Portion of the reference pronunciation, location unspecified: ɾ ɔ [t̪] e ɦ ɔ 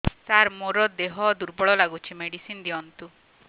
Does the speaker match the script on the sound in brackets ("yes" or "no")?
no